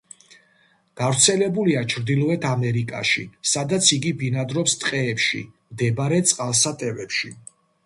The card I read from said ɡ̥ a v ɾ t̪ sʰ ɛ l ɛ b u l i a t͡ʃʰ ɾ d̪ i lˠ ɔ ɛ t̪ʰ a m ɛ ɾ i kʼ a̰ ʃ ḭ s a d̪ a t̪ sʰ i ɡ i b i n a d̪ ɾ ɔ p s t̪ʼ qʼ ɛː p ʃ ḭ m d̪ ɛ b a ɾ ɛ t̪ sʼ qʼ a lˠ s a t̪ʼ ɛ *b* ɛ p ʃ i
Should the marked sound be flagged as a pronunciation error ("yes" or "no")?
yes